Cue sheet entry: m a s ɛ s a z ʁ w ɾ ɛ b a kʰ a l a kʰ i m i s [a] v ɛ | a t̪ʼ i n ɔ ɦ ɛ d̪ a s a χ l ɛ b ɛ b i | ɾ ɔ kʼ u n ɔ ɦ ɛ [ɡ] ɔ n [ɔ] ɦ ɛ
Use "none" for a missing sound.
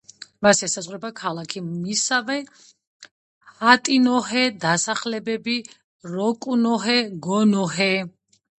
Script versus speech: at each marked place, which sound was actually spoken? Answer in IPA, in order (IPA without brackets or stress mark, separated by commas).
a, ɡ, ɔ